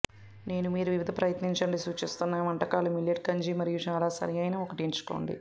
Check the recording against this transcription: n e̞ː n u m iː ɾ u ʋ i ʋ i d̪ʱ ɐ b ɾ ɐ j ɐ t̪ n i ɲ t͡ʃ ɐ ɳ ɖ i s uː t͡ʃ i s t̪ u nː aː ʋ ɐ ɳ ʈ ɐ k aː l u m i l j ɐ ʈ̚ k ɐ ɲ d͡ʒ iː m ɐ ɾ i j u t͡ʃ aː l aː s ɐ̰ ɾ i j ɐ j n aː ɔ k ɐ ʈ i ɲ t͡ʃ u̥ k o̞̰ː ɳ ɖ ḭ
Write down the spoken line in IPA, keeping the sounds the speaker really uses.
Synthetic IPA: n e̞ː n u m iː ɾ u ʋ i ʋ i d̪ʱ ɐ p ɾ ɐ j ɐ t̪ n i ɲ t͡ʃ ɐ ɳ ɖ i s uː t͡ʃ i s t̪ u nː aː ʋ ɐ ɳ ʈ ɐ k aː l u m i l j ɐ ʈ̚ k ɐ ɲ d͡ʒ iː m ɐ ɾ i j u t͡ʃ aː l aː s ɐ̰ ɾ i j ɐ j n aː ɔ k ɐ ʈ i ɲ t͡ʃ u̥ k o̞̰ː ɳ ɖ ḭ

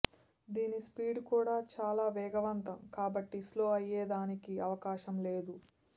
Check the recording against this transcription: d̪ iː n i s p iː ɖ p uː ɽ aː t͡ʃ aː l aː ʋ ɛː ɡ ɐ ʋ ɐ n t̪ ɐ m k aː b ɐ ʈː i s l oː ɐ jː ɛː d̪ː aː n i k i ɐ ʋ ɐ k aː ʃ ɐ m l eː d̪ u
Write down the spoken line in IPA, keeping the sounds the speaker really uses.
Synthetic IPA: d̪ iː n i s p iː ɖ k uː ɽ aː t͡ʃ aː l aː ʋ ɛː ɡ ɐ ʋ ɐ n t̪ ɐ m k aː b ɐ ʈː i s l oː ɐ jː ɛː d̪ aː n i k i ɐ ʋ ɐ k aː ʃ ɐ m l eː d̪ u

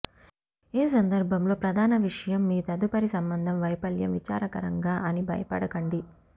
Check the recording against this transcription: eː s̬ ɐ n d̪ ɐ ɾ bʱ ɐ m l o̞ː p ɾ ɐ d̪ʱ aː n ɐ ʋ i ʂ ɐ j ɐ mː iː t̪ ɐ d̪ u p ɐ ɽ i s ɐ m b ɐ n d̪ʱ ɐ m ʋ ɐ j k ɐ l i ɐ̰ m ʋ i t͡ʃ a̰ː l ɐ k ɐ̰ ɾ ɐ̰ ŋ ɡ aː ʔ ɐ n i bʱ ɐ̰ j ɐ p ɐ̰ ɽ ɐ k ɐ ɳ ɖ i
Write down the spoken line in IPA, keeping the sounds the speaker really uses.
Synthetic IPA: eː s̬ ɐ n d̪ ɐ ɾ bʱ ɐ m l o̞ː p ɾ ɐ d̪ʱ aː n ɐ ʋ i ʂ ɐ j ɐ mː iː t̪ ɐ d̪ u p ɐ ɾ i s ɐ m b ɐ n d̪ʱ ɐ m ʋ ɐ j p ɐ l j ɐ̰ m ʋ i t͡ʃ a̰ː ɾ ɐ k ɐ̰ ɾ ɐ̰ ŋ ɡ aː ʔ ɐ n i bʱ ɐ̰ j ɐ p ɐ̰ ɽ ɐ k ɐ ɳ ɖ i

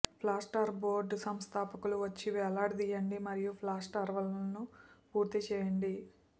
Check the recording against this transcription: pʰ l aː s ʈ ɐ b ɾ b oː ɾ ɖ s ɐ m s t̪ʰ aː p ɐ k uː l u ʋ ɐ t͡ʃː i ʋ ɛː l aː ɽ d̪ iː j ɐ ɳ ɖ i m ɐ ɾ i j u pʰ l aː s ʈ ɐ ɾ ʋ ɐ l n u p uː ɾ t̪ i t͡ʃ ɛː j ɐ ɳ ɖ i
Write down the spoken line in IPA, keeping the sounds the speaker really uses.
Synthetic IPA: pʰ l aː s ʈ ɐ ɾ b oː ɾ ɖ s ɐ m s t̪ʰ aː p ɐ k u l u ʋ ɐ t͡ʃː i ʋ ɛː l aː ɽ d̪ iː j ɐ ɳ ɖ i m ɐ ɾ i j u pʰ l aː s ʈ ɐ ɾ ʋ ɐ l n u p uː ɾ t̪ i t͡ʃ ɛː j ɐ ɳ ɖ i

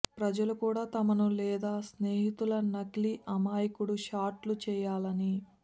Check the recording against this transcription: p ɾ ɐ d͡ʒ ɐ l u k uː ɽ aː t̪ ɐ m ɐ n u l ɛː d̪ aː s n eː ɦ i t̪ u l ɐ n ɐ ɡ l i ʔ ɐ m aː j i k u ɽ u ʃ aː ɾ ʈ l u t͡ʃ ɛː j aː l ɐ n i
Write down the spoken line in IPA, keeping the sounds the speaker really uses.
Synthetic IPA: p ɾ ɐ d͡ʒ ɐ l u k uː ɽ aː t̪ ɐ m ɐ n u l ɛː d̪ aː s n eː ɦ i t̪ u l ɐ n ɐ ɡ l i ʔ ɐ m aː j i k u ɽ u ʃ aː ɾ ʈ l u t͡ʃ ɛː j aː l ɐ n i

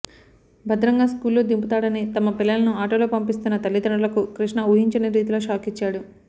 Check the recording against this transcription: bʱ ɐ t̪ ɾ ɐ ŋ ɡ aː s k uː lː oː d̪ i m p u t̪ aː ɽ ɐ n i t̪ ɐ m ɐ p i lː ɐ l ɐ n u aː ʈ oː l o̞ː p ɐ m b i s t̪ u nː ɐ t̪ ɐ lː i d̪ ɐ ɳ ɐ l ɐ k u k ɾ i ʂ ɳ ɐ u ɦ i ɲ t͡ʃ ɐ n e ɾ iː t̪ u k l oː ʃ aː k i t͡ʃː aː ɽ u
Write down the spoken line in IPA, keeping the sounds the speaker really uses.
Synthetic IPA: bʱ ɐ d̪ ɾ ɐ ŋ ɡ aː s k uː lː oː d̪ i m p u t̪ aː ɽ ɐ n i t̪ ɐ m ɐ p i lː ɐ l ɐ n u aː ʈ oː l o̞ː p ɐ m p i s t̪ u nː ɐ t̪ ɐ lː i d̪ ɐ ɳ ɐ l ɐ k u k ɾ i ʂ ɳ ɐ u ɦ i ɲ t͡ʃ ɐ n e ɾ iː t̪ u l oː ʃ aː k i t͡ʃː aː ɽ u

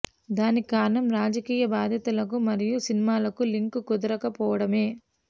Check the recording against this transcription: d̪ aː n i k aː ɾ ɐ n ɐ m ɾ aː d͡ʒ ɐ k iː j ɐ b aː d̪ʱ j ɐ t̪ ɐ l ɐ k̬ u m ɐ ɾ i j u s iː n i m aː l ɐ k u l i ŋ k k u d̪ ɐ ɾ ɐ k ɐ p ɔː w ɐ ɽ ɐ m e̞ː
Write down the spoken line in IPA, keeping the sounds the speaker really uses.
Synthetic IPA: d̪ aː n i k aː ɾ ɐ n ɐ m ɾ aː d͡ʒ ɐ k iː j ɐ b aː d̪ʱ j ɐ t̪ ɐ l ɐ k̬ u m ɐ ɾ i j u s i n i m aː l ɐ k u l i ŋ k k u d̪ ɐ ɾ ɐ k ɐ p ɔː ʋ ɐ ɽ ɐ m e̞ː

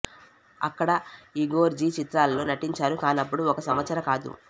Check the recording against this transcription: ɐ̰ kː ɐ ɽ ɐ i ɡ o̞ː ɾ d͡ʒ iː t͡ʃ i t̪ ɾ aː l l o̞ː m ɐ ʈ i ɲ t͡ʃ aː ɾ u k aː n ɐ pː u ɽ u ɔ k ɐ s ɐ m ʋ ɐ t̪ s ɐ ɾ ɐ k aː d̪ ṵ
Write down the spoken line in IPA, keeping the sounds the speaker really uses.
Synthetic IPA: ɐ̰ kː ɐ ɽ ɐ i ɡ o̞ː ɾ d͡ʒ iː t͡ʃ i t̪ ɾ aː l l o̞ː n ɐ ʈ i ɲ t͡ʃ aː ɾ u k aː n ɐ pː u ɽ u ɔ k ɐ s ɐ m ʋ ɐ t̪ s ɐ ɾ ɐ k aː d̪ ṵ

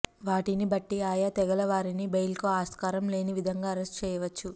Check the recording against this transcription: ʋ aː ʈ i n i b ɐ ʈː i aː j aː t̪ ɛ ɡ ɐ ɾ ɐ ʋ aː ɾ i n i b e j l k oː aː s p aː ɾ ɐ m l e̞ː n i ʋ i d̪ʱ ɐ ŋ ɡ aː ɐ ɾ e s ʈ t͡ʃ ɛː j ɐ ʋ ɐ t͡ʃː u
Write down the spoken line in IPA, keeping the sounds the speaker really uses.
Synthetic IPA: ʋ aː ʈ i n i b ɐ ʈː i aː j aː t̪ ɛ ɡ ɐ l ɐ ʋ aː ɾ i n i b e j l k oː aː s k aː ɾ ɐ m l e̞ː n i ʋ i d̪ʱ ɐ ŋ ɡ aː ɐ ɾ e s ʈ t͡ʃ ɛː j ɐ ʋ ɐ t͡ʃː u

